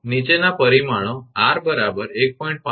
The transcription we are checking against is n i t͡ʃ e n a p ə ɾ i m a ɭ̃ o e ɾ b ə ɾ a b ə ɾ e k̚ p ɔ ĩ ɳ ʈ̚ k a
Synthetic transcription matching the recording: n i t͡ʃ e n a p ə ɾ i m a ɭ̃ o a ɾ b ə ɾ a b ə ɾ e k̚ p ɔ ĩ ɳ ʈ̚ p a